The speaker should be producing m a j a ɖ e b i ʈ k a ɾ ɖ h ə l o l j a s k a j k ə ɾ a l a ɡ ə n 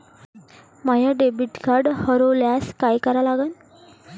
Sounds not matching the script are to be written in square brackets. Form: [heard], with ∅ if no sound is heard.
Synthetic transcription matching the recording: m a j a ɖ e b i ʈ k a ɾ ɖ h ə [ɾ] o l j a s k a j k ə ɾ a l a ɡ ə n